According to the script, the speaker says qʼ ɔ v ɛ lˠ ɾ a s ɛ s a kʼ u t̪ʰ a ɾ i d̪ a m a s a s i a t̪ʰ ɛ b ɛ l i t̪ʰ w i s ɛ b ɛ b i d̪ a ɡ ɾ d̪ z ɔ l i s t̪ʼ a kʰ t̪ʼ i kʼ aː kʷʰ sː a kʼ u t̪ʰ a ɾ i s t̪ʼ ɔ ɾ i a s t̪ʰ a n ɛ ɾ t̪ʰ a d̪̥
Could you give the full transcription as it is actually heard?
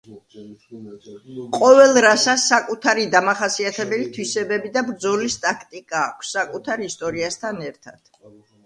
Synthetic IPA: qʼ ɔ v ɛ lˠ ɾ a s a s a kʼ u t̪ʰ a ɾ i d̪ a m a χ a s i a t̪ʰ ɛ b ɛ l i t̪ʰ w i s ɛ b ɛ b i d̪ a b ɾ d̪ z ɔ l i s t̪ʼ a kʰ t̪ʼ i kʼ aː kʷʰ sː a kʼ u t̪ʰ a ɾ i s t̪ʼ ɔ ɾ i a s t̪ʰ a n ɛ ɾ t̪ʰ a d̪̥